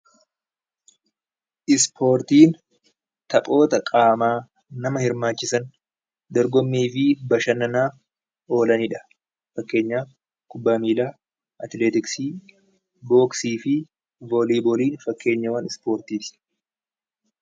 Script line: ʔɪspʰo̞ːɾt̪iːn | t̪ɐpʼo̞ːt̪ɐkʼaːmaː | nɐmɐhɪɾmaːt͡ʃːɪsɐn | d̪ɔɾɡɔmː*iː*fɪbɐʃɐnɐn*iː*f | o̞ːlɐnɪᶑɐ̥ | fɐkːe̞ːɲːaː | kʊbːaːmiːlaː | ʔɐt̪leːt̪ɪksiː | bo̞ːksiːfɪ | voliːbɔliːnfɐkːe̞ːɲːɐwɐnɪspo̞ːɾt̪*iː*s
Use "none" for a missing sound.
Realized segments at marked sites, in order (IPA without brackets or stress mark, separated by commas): iː, aː, iː